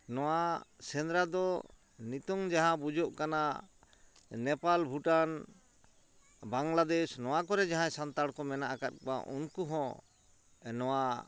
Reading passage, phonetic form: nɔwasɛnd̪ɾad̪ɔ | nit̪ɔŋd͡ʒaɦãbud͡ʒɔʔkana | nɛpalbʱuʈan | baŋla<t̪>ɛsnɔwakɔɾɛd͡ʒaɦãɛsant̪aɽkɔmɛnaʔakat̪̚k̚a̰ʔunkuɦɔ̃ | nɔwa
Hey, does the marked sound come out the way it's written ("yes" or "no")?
no